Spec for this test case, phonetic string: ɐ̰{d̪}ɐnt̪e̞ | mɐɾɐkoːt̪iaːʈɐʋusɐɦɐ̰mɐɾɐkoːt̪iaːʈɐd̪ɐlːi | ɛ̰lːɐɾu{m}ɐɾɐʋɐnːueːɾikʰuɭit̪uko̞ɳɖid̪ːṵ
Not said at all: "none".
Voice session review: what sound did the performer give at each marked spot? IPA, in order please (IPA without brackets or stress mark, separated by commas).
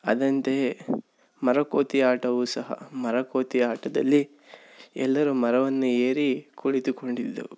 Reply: d̪, m